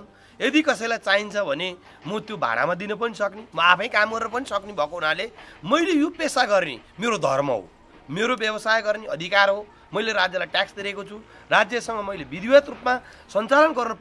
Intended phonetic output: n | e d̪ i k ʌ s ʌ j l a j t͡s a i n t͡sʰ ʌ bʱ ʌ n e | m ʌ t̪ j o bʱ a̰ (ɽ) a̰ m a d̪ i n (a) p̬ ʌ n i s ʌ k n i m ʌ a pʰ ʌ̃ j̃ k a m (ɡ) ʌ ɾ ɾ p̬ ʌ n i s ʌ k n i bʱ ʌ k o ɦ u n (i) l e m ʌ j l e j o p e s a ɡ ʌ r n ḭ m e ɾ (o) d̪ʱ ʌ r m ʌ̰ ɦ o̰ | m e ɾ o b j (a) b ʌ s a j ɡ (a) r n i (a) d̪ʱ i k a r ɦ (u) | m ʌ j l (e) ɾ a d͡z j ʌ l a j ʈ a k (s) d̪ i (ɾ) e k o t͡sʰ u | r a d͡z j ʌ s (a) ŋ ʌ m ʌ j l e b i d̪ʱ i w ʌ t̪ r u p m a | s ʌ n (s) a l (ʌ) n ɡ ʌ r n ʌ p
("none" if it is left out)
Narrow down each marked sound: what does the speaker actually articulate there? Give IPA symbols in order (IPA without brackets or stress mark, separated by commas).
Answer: ɽ, ʌ, ɡ, a, o, ʌ, ʌ, ʌ, o, e, s, ɾ, ʌ, t͡s, ʌ